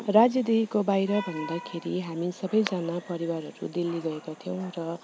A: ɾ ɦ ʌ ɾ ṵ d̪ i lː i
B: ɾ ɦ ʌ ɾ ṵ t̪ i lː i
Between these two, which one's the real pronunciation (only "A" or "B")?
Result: A